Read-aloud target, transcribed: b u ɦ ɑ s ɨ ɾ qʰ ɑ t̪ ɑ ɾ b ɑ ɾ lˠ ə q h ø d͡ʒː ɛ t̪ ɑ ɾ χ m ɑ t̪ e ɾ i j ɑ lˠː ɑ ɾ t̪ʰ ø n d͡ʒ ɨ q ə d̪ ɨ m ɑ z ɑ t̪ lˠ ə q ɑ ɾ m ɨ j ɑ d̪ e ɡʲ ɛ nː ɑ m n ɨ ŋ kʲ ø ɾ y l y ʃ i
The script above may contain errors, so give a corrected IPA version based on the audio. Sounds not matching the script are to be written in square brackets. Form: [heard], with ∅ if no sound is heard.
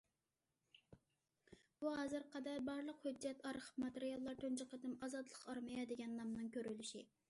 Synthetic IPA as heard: b u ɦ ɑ [z] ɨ ɾ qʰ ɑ [d̪] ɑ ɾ b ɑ ɾ lˠ ə q h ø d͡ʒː ɛ t̪ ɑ ɾ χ m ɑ t̪ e ɾ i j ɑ lˠː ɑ ɾ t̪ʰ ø n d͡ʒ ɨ q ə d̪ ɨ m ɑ z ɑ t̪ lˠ ə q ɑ ɾ m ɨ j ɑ d̪ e ɡʲ ɛ nː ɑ m n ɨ ŋ kʲ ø ɾ y l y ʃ i

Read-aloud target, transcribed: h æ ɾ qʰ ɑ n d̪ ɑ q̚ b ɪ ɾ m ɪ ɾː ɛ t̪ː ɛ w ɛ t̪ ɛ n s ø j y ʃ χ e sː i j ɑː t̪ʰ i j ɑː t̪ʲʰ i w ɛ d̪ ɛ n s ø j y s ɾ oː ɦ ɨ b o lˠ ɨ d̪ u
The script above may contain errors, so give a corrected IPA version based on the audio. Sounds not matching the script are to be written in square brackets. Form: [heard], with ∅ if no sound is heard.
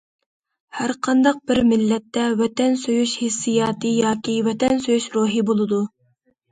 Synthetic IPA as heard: h æ ɾ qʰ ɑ n d̪ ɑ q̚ b ɪ ɾ m ɪ [lː] ɛ t̪ː ɛ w ɛ t̪ ɛ n s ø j y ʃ [h] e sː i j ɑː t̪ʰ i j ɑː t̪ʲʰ i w ɛ [t̪] ɛ n s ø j y [ʃ] ɾ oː ɦ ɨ b o lˠ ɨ d̪ u

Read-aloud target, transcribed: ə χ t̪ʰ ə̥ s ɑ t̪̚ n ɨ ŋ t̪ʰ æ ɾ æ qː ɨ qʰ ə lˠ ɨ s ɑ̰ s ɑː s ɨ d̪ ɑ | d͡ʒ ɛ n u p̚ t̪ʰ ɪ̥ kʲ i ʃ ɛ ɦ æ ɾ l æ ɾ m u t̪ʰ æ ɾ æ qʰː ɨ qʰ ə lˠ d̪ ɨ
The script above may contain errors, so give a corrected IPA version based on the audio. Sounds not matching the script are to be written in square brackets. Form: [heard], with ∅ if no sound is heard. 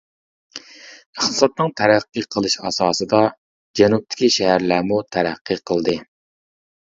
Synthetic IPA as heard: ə χ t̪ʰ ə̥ s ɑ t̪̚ n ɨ ŋ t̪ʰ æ ɾ æ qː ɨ qʰ ə lˠ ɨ [ʃ] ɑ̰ s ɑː s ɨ d̪ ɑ | d͡ʒ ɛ n u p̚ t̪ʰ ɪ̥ kʲ i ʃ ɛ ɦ æ ɾ l æ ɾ m u t̪ʰ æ ɾ æ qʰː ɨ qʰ ə lˠ d̪ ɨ

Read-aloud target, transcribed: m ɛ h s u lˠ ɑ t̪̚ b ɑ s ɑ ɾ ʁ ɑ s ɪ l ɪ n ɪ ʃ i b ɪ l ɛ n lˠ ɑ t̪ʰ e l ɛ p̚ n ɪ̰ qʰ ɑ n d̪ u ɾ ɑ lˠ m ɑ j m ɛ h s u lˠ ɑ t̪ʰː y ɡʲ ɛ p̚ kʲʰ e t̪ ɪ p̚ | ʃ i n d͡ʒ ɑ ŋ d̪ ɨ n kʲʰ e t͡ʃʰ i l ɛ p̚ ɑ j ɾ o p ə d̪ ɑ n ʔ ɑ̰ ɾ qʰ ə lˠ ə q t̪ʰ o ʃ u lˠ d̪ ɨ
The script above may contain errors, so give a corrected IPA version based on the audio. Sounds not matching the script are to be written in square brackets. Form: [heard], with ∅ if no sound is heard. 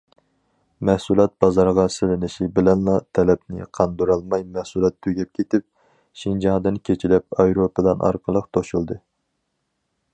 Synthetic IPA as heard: m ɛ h s u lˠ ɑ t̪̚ b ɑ [z] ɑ ɾ ʁ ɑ s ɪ l ɪ n ɪ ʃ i b ɪ l ɛ n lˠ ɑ t̪ʰ [ɛ] l ɛ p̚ n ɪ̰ qʰ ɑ n d̪ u ɾ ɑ lˠ m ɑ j m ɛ h s u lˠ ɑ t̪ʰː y ɡʲ ɛ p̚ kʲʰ e t̪ ɪ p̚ | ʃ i n d͡ʒ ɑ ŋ d̪ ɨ n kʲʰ e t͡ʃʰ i l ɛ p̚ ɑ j ɾ o p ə d̪ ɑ n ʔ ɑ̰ ɾ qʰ ə lˠ ə q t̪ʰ o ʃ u lˠ d̪ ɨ

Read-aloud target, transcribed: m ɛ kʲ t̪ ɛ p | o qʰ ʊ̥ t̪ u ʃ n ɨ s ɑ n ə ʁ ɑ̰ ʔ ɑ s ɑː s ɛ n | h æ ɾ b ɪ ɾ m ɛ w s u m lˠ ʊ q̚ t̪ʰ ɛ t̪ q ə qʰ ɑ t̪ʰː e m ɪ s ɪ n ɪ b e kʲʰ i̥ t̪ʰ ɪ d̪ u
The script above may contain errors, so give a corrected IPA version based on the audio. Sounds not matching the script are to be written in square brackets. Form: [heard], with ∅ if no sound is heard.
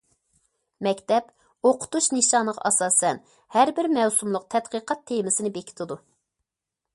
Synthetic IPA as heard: m ɛ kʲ t̪ ɛ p | o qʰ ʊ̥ t̪ u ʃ n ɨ [ʃ] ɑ n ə ʁ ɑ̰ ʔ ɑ s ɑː s ɛ n | h æ ɾ b ɪ ɾ m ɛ w s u m lˠ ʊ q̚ t̪ʰ ɛ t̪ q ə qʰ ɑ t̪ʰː e m ɪ s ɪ n ɪ b e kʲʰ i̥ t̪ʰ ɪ d̪ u

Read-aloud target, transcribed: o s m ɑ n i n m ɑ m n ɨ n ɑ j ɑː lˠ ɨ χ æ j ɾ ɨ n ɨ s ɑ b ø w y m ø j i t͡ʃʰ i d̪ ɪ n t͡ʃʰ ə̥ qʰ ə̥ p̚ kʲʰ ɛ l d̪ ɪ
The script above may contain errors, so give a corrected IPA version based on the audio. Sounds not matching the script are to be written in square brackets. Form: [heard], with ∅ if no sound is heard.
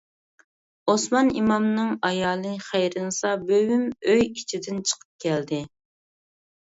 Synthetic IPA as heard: o s m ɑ n i [∅] m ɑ m n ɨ [ŋ] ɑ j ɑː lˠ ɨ χ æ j ɾ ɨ n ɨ s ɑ b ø w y m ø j i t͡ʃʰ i d̪ ɪ n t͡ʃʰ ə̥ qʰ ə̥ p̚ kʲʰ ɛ l d̪ ɪ

